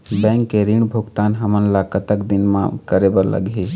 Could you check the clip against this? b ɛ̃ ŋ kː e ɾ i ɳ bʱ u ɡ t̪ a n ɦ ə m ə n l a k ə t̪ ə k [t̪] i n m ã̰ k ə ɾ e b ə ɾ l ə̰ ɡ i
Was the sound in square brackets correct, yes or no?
no